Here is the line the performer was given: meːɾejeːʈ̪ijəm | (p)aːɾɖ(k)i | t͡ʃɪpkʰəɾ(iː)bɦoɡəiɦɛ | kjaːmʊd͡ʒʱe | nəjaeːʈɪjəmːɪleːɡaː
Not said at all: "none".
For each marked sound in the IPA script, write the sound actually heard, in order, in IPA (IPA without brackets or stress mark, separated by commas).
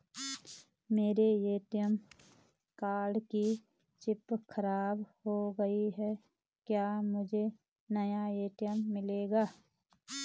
k, k, aː